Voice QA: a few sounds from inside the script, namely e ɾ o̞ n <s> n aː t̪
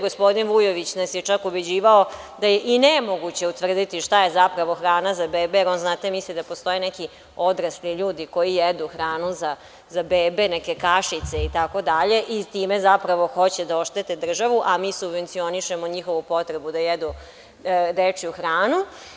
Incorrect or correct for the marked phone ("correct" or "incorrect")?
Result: incorrect